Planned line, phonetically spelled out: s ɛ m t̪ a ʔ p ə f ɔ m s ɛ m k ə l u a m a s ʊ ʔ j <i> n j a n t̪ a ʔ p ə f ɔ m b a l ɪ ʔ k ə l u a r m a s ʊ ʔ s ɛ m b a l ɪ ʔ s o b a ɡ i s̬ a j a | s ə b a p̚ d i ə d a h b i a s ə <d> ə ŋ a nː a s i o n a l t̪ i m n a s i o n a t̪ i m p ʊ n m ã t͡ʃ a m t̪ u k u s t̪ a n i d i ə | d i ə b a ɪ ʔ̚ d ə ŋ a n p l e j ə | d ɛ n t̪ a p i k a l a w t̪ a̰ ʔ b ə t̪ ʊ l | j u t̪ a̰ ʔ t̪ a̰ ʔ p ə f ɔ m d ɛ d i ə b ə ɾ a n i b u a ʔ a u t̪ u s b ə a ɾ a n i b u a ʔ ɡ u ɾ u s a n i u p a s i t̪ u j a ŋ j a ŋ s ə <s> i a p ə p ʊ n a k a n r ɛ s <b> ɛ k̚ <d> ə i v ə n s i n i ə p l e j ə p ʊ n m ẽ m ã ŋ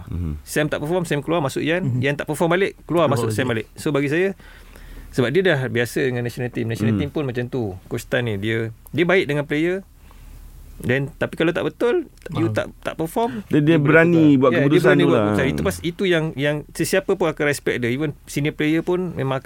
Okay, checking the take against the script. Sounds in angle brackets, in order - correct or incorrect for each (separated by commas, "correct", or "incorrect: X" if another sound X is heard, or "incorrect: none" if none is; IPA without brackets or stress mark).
incorrect: a, correct, correct, incorrect: p, correct